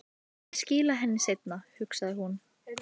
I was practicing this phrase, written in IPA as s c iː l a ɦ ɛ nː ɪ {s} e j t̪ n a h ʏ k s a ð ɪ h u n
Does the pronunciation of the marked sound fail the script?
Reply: no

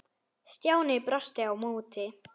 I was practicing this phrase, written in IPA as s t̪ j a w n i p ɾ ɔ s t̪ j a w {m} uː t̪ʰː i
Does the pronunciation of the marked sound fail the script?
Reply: no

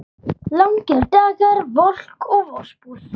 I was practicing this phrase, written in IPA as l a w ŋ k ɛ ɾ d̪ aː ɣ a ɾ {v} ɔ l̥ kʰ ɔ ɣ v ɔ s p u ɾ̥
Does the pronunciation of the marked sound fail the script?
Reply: no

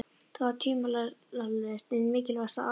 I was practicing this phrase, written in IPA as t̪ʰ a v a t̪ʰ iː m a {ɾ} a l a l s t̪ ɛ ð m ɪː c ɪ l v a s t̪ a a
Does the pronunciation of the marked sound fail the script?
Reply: yes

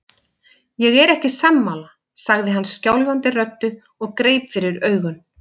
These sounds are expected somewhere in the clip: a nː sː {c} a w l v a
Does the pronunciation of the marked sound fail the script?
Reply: no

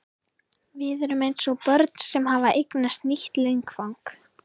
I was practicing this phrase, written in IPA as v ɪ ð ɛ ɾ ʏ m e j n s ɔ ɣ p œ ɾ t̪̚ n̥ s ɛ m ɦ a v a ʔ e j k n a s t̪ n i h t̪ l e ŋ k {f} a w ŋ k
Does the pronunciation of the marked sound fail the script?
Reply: no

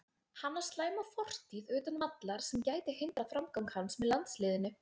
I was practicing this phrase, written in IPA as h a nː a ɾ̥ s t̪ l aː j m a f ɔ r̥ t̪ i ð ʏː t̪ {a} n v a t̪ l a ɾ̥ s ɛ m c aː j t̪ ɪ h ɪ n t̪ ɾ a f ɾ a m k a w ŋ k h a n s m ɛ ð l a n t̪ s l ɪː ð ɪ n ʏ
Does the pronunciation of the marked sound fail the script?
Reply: no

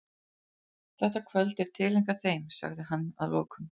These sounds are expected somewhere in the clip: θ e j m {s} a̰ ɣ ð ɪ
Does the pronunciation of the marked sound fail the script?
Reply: no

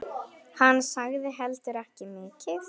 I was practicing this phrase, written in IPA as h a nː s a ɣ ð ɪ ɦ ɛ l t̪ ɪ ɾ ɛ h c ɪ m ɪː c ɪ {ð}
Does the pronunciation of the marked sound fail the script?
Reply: yes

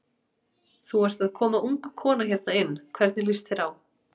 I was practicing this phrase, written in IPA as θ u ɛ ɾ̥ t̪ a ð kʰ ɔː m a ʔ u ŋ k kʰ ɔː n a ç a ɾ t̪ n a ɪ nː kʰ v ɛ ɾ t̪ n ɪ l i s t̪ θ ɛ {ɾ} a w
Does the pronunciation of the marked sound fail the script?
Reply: no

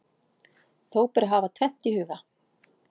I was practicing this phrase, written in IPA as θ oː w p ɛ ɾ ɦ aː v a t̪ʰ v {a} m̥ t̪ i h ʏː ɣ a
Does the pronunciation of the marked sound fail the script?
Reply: yes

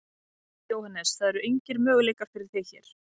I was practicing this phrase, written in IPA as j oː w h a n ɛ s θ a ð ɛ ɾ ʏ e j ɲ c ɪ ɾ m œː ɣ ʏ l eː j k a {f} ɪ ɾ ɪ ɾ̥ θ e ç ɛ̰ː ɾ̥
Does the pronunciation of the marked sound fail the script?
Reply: no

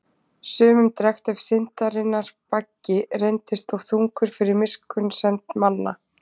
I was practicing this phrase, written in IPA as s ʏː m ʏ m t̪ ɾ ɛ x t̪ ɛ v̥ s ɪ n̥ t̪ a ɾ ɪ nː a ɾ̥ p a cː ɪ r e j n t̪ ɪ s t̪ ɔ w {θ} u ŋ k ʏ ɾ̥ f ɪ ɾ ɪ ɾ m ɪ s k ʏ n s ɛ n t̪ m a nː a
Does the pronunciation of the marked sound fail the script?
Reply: no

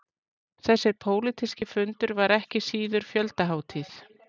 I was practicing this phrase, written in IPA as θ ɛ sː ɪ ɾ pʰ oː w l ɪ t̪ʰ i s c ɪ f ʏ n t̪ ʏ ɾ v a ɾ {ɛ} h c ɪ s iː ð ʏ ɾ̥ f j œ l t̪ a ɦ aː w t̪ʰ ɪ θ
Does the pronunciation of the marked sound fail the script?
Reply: no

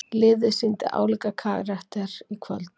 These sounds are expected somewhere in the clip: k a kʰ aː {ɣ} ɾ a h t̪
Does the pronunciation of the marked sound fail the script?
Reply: no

